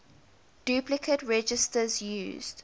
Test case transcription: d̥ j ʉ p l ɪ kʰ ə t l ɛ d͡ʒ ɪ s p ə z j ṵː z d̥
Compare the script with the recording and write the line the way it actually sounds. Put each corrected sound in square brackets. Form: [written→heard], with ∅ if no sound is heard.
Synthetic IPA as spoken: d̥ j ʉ p l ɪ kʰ ə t [l→ɹ] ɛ d͡ʒ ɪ s [p→t] ə z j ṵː z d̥